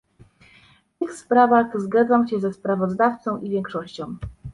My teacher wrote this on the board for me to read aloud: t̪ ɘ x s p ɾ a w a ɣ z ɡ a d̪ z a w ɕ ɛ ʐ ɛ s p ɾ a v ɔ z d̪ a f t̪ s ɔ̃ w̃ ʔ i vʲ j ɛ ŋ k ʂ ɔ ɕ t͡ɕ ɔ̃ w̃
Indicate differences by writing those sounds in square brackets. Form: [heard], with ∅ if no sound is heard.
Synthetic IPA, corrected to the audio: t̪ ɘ x s p ɾ a [v] a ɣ z ɡ a d̪ z a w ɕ ɛ [z] ɛ s p ɾ a v ɔ z d̪ a f t̪ s ɔ̃ w̃ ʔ i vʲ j ɛ ŋ k ʂ ɔ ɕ t͡ɕ ɔ̃ w̃